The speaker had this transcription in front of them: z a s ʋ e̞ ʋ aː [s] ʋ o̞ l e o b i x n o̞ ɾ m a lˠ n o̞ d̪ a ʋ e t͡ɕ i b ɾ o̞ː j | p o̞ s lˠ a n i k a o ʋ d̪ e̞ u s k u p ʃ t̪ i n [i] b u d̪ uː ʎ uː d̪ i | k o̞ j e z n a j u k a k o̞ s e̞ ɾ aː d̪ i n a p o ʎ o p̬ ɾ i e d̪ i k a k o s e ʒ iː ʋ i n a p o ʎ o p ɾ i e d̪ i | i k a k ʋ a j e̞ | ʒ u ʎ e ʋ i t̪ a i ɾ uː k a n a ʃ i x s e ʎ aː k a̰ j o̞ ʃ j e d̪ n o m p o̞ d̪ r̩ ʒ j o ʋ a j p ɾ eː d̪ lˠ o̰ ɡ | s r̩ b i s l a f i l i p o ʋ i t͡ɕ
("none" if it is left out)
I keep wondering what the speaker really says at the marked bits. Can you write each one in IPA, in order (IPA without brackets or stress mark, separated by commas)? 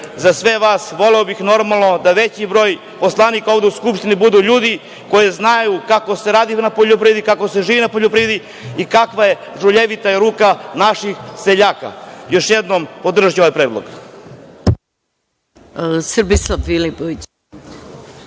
s, i